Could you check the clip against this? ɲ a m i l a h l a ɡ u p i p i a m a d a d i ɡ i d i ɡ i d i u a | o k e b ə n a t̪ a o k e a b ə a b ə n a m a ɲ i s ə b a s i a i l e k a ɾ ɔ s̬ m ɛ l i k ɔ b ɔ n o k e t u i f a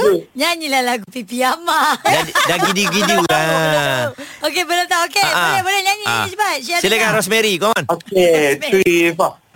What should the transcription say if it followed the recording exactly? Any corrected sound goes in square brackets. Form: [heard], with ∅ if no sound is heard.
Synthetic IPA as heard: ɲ a [ɲ] i l a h l a ɡ u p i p i a m a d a d [a] ɡ i d i ɡ i d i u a | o k e b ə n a t̪ a o k e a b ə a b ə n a [ɲ] a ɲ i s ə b a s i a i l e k a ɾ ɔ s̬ m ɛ [ɾ] i k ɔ [m] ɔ n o k e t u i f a